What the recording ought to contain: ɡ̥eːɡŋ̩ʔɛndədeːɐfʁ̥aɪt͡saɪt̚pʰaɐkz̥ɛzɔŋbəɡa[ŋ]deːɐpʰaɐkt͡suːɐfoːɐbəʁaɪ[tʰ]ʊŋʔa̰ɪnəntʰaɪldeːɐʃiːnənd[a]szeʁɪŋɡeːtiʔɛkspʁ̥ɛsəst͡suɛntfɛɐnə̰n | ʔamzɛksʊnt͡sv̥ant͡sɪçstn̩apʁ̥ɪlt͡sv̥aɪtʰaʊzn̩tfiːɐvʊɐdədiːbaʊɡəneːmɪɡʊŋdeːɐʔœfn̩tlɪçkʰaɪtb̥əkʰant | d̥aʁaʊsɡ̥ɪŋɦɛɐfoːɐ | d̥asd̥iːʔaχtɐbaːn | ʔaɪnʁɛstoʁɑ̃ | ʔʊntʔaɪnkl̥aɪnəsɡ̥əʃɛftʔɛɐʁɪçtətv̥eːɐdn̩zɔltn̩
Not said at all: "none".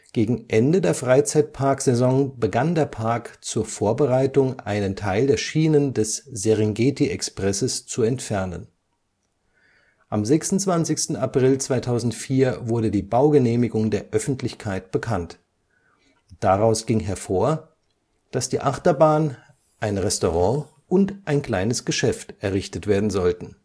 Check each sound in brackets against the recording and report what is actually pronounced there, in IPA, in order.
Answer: n, t, ɛ

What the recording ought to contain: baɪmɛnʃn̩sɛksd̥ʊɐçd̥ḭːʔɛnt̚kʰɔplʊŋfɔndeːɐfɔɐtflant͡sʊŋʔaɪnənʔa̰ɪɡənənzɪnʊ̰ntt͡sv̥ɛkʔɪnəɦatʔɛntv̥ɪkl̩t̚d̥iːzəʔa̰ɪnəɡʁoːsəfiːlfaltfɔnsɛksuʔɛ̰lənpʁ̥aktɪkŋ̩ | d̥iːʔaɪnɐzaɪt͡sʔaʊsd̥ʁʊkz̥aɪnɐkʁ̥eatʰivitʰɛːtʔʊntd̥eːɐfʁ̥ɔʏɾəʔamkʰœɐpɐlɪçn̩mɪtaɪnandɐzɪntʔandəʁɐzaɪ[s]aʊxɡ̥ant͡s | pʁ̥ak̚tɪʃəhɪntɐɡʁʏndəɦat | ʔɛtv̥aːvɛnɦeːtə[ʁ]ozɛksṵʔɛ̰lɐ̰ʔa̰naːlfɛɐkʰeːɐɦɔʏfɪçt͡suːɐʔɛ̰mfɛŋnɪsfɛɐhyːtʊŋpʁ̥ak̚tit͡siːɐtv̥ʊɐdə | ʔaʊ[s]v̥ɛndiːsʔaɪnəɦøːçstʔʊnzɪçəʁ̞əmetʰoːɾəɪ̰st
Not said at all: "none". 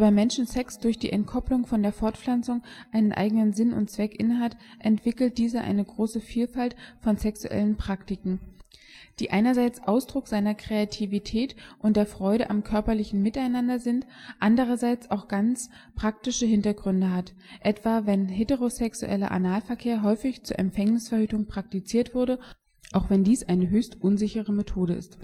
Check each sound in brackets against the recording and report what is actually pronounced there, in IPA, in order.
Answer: t͡s, ʁ, x

